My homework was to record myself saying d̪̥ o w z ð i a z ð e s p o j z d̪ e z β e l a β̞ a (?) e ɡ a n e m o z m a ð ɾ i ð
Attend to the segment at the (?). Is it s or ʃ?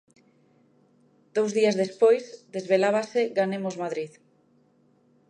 s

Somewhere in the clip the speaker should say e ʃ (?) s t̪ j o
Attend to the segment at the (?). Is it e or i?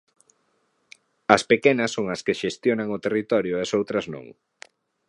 e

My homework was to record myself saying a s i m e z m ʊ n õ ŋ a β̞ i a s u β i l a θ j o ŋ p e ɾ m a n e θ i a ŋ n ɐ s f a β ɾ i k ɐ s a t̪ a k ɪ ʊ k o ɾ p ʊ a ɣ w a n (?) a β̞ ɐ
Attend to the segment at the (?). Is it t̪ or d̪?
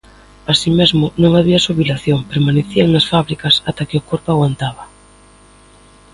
t̪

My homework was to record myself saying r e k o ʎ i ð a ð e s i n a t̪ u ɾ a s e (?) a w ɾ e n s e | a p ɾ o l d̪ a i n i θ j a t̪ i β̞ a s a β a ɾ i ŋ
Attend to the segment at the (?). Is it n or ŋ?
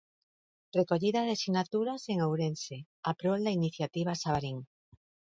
ŋ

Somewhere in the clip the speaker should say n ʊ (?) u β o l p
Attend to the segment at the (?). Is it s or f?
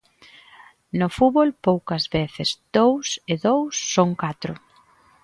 f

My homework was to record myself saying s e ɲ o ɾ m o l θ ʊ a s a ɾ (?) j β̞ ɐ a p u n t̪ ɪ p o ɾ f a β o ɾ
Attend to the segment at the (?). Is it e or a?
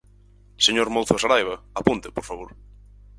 a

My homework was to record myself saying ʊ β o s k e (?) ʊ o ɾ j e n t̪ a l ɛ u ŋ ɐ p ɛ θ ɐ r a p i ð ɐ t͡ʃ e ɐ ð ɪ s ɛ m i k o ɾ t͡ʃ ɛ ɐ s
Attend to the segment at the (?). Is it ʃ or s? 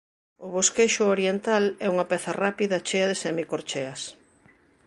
ʃ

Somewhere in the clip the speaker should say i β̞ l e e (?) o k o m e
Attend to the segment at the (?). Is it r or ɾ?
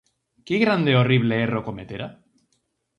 r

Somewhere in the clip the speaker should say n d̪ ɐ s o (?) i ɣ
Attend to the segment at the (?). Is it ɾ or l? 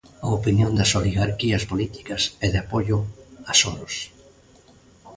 l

